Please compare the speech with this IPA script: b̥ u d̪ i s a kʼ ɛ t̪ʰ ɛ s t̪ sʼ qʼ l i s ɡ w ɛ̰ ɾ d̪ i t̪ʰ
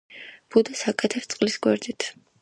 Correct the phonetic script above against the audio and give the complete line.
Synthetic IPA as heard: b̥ u d̪ a s a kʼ ɛ t̪ʰ ɛ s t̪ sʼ qʼ l i s ɡ w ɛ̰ ɾ d̪ i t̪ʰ